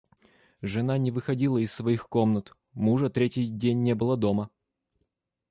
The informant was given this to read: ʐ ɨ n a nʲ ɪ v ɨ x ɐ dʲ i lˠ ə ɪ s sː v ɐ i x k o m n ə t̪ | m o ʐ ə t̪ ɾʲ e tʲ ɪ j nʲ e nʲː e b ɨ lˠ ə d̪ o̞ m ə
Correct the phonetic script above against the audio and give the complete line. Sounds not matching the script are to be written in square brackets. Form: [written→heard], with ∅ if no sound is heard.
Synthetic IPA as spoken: ʐ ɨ n a nʲ ɪ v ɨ x ɐ dʲ i lˠ ə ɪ s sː v ɐ i x k o m n ə t̪ | m [o→u] ʐ ə t̪ ɾʲ e tʲ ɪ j [nʲ→dʲ] e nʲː e b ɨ lˠ ə d̪ o̞ m ə